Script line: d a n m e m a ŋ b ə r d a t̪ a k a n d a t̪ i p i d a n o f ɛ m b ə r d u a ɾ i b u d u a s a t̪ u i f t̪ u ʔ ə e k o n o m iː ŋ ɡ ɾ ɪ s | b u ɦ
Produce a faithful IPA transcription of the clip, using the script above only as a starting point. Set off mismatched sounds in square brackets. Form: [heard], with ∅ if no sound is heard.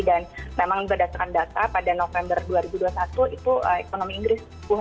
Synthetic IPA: d a n m e m a ŋ b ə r d a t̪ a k a n d a t̪ [a] p [a] d a n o f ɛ m b ə r d u a ɾ i b u d u a s a t̪ u i [∅] t̪ u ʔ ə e k o n o m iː ŋ ɡ ɾ ɪ s | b u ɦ